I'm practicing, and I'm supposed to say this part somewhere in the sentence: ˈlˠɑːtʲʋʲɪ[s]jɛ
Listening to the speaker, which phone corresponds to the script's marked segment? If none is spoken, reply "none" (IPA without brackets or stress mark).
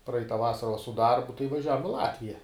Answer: none